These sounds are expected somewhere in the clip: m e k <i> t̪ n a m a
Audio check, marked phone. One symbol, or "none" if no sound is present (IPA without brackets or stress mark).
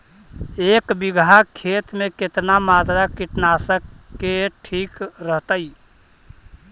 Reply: e